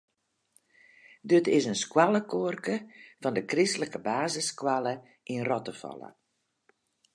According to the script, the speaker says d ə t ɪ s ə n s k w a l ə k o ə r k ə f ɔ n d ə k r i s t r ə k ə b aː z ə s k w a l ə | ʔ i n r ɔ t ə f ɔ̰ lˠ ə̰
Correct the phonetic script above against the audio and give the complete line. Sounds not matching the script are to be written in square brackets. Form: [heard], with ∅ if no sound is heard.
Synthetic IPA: d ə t ɪ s ə n s k w a l ə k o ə r k ə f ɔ n d ə k r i s t [l] ə k ə b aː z ə s k w a l ə | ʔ i n r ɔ t ə f ɔ̰ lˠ ə̰